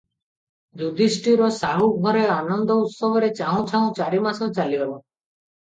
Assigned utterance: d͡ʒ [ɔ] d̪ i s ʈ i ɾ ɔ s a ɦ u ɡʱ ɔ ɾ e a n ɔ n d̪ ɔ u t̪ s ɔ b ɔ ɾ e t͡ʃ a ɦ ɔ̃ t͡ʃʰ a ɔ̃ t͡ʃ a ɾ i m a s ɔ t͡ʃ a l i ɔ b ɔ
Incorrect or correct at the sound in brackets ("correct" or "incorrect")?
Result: incorrect